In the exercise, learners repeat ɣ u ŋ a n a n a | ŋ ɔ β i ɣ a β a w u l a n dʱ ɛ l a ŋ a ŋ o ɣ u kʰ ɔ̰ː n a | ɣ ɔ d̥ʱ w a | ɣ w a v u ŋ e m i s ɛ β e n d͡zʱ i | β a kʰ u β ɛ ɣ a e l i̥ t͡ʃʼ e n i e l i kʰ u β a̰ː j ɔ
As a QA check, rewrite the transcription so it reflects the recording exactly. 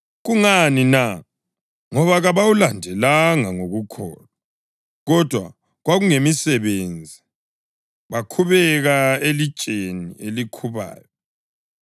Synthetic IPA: ɣ u ŋ a n i n a | ŋ ɔ β a ɣ a β a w u l a n dʱ ɛ l a ŋ a ŋ o ɣ u kʰ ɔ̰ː n a | ɣ ɔ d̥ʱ w a | ɣ w a ɣ u ŋ e m i s ɛ β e n d͡zʱ i | β a kʰ u β ɛ ɣ a e l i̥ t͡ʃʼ e n i e l i kʰ u β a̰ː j ɔ